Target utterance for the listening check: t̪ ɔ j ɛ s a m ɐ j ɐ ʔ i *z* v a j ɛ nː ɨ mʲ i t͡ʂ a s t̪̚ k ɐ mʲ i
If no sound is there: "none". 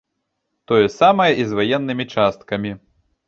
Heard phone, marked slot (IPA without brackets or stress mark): z